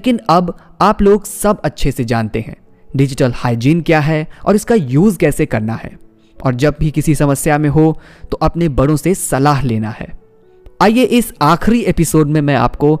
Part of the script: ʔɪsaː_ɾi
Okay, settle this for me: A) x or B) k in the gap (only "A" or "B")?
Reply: A